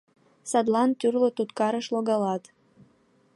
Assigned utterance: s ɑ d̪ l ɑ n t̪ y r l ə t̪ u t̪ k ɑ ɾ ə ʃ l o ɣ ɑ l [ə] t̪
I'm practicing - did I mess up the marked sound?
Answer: yes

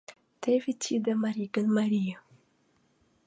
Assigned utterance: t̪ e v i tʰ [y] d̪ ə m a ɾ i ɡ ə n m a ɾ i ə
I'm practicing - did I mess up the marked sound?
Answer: yes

